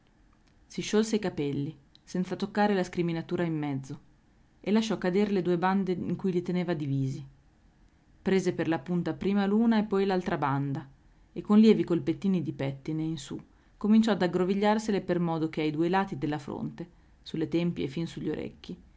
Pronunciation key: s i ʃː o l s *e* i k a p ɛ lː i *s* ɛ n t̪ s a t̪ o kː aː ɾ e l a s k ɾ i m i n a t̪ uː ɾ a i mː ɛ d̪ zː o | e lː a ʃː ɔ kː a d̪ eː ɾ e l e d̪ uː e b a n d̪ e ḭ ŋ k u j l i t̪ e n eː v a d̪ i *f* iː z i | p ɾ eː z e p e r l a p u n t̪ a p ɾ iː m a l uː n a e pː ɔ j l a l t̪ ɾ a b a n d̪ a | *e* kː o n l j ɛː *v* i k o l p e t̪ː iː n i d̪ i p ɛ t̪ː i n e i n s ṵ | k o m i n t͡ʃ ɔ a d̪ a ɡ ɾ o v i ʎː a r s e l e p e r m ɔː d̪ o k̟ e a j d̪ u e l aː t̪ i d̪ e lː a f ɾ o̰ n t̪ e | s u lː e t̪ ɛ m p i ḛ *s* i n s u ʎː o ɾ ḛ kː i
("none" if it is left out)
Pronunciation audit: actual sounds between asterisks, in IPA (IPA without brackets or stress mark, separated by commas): e, s, v, e, v, f